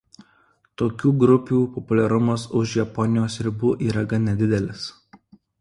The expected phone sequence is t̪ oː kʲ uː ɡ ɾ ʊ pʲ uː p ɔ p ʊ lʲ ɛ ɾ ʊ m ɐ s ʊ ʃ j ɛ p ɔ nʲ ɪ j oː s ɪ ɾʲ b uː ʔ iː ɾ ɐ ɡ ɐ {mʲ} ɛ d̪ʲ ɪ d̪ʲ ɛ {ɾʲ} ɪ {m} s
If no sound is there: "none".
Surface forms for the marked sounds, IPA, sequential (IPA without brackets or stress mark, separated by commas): nʲ, lʲ, none